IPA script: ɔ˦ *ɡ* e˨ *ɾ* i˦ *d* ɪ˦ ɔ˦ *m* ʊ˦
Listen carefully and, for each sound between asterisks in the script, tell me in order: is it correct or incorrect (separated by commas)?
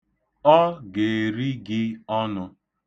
correct, correct, incorrect, incorrect